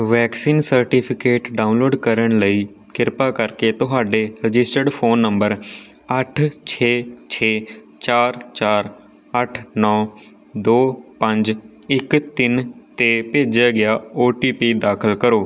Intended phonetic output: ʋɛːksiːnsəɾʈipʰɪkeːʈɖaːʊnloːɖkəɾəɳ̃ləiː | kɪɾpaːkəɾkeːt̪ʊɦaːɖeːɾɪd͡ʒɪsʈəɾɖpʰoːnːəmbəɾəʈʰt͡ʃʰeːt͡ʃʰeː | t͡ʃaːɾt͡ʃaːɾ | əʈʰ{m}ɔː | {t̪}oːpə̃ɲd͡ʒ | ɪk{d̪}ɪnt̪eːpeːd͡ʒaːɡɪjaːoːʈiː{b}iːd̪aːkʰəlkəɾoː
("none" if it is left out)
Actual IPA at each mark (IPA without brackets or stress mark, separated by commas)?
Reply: n, d̪, t̪, p